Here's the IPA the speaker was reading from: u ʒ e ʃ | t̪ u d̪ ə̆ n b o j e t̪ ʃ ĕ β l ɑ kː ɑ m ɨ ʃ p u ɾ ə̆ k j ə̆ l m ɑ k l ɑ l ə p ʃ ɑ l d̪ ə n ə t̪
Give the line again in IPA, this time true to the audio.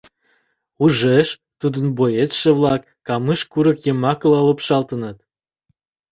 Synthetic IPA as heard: u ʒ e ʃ | t̪ u d̪ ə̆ n b o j e t̪ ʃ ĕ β l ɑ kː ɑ m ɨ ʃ k u ɾ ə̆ k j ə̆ m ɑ k l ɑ l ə p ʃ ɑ l t̪ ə n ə t̪

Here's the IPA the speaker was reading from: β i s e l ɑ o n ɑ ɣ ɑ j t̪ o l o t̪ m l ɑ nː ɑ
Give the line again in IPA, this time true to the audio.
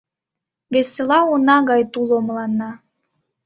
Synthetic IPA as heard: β e s e l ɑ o n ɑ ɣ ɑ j t̪ u l o m l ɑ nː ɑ

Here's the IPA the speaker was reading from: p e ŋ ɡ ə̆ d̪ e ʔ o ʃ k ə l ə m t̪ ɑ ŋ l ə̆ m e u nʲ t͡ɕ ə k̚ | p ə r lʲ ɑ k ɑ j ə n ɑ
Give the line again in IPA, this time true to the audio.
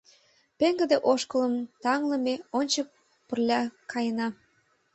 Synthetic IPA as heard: p e ŋ ɡ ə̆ d̪ e ʔ o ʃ k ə l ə m t̪ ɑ ŋ l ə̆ m e o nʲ t͡ɕ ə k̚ | p ə r lʲ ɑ k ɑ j ə n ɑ

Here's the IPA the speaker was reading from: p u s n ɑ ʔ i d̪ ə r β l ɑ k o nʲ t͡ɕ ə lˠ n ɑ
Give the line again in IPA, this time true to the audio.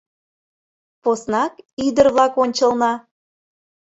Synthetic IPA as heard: p o s n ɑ k i d̪ ə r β l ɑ k o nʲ t͡ɕ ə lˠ n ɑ

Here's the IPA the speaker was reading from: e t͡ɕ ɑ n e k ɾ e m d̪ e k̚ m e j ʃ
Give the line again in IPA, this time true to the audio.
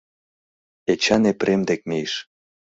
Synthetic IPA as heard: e t͡ɕ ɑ n e p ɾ e m d̪ e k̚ m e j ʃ

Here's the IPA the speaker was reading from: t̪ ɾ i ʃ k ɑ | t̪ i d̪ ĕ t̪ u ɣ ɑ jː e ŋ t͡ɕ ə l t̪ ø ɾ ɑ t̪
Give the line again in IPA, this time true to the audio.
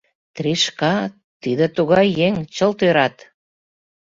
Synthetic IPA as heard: t̪ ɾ i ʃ k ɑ | t̪ i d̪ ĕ t̪ u ɣ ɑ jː e ŋ t͡ɕ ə l t̪ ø ɾ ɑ t̪

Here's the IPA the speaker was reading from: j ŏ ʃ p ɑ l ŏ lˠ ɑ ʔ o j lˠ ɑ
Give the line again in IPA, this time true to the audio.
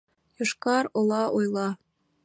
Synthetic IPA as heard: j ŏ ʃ k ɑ ɾ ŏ lˠ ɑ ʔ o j lˠ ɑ

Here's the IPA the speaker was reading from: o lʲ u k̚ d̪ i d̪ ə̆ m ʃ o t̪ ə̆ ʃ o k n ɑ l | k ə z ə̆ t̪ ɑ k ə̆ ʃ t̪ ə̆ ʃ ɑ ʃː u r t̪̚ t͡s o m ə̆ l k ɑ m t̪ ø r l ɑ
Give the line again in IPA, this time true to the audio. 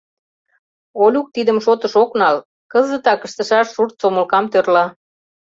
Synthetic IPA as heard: o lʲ u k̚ t̪ i d̪ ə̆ m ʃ o t̪ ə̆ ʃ o k n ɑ l | k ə z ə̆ t̪ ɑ k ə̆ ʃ t̪ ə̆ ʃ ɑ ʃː u r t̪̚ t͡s o m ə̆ l k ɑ m t̪ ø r l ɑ

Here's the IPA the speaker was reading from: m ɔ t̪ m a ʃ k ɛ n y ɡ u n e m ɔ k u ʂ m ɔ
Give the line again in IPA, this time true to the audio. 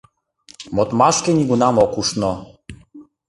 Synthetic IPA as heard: m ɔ t̪ m a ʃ k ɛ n i ɡ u n a m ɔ k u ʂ n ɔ

